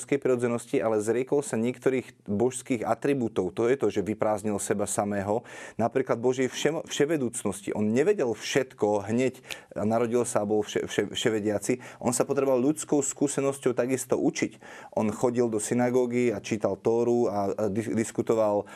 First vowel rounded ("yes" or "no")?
no